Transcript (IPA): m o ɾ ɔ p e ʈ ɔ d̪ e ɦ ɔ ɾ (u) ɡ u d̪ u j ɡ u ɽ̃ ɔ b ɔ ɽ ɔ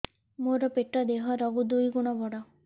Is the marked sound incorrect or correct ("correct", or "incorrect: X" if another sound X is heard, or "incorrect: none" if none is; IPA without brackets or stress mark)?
incorrect: ɔ